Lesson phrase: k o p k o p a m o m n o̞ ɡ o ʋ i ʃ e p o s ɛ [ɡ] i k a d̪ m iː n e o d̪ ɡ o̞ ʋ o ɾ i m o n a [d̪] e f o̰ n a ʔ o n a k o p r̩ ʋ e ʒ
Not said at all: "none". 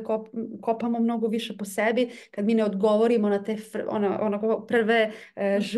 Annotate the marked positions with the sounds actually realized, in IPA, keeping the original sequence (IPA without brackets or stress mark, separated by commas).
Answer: b, t̪